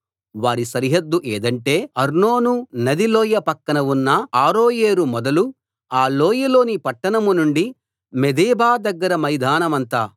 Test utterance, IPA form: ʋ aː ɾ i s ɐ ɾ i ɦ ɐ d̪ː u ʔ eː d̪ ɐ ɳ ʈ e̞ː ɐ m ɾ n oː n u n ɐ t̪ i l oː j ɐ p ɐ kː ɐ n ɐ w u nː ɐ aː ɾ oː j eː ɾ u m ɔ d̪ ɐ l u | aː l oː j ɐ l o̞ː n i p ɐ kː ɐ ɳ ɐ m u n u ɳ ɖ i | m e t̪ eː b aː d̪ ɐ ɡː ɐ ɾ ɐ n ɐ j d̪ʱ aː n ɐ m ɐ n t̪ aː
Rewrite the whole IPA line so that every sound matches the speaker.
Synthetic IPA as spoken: ʋ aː ɾ i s ɐ ɾ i ɦ ɐ d̪ː u ʔ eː d̪ ɐ ɳ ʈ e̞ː ɐ ɾ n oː n u n ɐ d̪ i l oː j ɐ p ɐ kː ɐ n ɐ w u nː ɐ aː ɾ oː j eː ɾ u m ɔ d̪ ɐ l u | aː l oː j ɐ l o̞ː n i p ɐ ʈː ɐ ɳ ɐ m u n u ɳ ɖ i | m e d̪ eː b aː d̪ ɐ ɡː ɐ ɾ ɐ m ɐ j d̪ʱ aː n ɐ m ɐ n t̪ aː